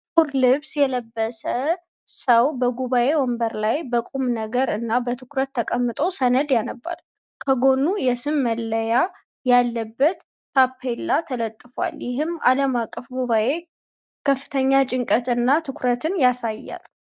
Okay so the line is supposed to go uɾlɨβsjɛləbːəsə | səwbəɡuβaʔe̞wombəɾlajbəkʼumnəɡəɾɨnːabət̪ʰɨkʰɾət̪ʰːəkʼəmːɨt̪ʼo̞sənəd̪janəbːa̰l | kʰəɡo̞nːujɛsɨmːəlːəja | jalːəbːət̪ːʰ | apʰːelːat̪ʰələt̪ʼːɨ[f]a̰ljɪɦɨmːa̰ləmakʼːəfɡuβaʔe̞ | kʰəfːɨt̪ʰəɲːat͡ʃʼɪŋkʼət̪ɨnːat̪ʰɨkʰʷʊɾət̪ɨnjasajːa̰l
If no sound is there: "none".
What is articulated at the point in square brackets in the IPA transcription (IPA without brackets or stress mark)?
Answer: f